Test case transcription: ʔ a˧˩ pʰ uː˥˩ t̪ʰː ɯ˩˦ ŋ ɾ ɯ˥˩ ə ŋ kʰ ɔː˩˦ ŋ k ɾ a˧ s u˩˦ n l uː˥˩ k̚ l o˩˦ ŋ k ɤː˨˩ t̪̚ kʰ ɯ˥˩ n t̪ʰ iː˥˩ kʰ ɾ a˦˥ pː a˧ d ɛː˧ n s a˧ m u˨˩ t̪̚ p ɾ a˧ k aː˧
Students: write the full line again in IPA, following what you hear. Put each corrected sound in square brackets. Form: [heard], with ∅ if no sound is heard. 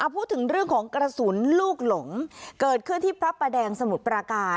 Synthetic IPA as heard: ʔ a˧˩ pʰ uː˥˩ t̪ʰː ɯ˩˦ ŋ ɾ ɯ˥˩ ə ŋ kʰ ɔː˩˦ ŋ k ɾ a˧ s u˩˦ n l uː˥˩ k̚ l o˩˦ ŋ k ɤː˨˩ t̪̚ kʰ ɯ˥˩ n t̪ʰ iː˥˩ [pʰ] ɾ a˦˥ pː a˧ d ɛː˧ [ŋ] s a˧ m u˨˩ t̪̚ p ɾ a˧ k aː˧